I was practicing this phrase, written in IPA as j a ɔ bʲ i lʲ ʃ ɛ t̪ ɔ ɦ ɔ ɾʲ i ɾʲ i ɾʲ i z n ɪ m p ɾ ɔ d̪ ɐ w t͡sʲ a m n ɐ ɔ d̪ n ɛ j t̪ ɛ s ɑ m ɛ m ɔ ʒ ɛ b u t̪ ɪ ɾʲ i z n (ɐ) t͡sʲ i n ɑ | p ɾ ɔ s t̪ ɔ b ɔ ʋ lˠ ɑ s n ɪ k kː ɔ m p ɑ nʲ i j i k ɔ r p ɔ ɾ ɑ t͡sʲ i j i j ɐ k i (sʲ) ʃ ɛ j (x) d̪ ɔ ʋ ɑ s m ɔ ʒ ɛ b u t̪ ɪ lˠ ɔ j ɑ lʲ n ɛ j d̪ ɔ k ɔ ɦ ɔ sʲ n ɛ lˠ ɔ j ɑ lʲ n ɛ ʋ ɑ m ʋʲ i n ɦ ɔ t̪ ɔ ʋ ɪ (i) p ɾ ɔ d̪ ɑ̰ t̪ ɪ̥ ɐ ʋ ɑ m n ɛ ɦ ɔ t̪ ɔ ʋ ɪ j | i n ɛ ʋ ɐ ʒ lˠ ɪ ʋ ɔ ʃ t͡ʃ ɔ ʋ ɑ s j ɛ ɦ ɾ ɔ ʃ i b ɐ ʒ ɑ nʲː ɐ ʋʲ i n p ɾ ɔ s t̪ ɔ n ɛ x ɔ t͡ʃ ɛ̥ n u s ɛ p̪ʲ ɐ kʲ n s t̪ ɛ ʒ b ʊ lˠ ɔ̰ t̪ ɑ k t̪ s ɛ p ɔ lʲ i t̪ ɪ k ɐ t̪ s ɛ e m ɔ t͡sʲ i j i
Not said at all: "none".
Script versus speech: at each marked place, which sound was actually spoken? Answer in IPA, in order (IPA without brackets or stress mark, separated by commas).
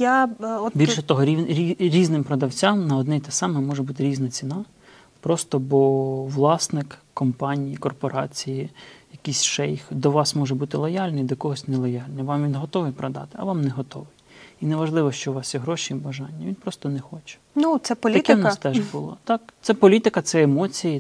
ɐ, sʲ, x, j